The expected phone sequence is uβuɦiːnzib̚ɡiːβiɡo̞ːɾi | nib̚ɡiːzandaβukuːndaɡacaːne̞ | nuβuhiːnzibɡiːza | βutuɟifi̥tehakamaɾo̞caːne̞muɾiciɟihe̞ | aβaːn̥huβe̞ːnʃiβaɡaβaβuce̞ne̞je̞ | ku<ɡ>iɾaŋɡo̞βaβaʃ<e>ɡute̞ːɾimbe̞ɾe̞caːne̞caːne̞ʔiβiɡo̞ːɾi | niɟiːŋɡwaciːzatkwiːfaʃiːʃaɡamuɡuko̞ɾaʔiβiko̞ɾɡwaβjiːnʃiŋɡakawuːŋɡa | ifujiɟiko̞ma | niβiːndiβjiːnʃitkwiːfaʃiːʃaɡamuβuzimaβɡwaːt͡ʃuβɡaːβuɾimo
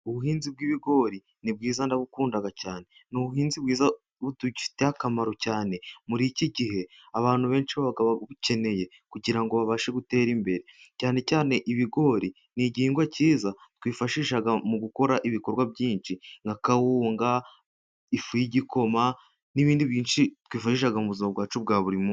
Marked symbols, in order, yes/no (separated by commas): no, yes